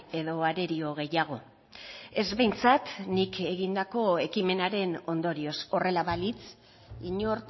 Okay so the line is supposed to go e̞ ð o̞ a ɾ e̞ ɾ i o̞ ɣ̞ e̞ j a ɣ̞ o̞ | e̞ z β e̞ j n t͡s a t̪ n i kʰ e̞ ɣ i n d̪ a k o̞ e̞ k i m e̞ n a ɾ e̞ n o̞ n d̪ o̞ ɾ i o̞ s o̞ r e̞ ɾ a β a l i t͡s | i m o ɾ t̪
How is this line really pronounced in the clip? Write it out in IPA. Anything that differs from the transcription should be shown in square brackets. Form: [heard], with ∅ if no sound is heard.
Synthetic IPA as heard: e̞ ð o̞ a ɾ e̞ ɾ i o̞ ɣ̞ e̞ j a ɣ̞ o̞ | e̞ z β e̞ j n t͡s a t̪ n i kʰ e̞ ɣ i n d̪ a k o̞ e̞ k i m e̞ n a ɾ e̞ n o̞ n d̪ o̞ ɾ i o̞ s o̞ r e̞ [l] a β a l i t͡s | i [ɲ] o ɾ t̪